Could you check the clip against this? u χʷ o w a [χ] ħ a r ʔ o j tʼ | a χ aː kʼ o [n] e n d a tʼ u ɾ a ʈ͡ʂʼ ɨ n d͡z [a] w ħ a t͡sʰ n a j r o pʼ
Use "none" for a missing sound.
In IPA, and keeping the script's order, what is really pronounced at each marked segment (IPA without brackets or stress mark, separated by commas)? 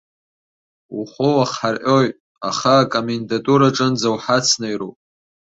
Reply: χ, m, a